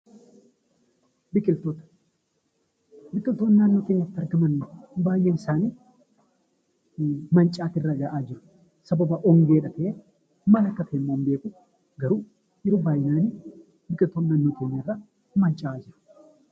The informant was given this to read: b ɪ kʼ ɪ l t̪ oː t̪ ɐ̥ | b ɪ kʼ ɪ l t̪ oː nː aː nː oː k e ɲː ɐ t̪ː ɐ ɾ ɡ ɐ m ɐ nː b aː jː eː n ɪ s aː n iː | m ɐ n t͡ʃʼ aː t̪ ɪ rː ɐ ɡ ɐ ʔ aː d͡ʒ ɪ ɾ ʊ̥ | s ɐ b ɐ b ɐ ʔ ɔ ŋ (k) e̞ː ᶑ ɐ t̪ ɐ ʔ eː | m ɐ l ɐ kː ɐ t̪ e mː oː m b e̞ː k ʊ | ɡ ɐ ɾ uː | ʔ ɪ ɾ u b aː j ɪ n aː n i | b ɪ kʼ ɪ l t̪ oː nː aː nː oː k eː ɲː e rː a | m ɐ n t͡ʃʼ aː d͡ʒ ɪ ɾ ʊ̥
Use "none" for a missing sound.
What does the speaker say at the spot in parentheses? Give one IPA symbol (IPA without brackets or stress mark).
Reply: ɡ